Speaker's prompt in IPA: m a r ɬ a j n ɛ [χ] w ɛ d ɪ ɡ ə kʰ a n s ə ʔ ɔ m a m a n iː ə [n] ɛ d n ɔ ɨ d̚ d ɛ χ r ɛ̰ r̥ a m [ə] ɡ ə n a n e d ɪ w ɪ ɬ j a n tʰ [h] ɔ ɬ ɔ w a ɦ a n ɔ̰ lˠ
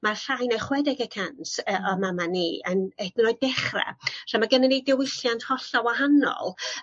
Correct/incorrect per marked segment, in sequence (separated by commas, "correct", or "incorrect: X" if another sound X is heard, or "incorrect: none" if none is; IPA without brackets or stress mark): correct, correct, incorrect: a, correct